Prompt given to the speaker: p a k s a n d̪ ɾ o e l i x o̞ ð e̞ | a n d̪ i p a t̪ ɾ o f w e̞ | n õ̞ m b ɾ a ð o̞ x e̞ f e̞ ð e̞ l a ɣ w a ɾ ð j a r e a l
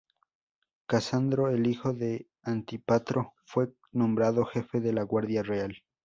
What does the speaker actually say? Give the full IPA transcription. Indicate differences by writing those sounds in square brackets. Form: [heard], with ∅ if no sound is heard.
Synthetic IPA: [k] a [∅] s a n d̪ ɾ o e l i x o̞ ð e̞ | a n [t̪] i p a t̪ ɾ o f w e̞ | n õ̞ m b ɾ a ð o̞ x e̞ f e̞ ð e̞ l a ɣ w a ɾ ð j a r e a l